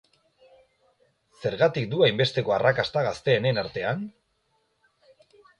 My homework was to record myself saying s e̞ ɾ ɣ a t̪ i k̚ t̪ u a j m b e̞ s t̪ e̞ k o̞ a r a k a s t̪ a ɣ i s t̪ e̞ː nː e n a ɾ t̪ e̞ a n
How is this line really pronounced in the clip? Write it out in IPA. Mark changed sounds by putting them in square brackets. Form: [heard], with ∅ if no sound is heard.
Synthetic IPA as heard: s e̞ ɾ ɣ a t̪ i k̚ [d̪] u a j m b e̞ s t̪ e̞ k o̞ a r a k a s t̪ a ɣ [a] s t̪ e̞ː [n] e n a ɾ t̪ e̞ a n